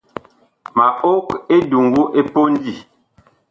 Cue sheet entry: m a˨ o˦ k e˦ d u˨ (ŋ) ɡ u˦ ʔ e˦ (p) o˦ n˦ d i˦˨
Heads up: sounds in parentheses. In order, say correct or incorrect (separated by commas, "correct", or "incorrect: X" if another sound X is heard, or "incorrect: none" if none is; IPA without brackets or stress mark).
correct, correct